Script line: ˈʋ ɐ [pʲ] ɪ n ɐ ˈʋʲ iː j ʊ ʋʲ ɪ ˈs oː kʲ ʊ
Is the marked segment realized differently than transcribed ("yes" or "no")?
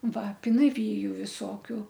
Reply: no